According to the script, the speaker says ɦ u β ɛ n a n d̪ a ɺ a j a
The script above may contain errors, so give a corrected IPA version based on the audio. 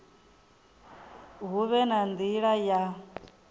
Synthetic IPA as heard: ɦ u β ɛ n a n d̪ i ɺ a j a